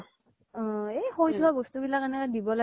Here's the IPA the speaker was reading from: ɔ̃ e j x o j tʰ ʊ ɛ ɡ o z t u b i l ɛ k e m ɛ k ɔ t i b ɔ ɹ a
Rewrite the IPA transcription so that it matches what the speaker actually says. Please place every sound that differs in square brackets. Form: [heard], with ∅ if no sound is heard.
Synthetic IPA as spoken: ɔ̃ e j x o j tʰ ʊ [a] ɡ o [s] t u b i l [a] k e [n] ɛ k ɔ [d] i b ɔ [l] a